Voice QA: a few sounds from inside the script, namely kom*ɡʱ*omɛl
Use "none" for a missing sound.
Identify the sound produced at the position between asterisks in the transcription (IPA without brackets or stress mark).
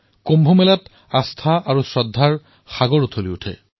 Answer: bʱ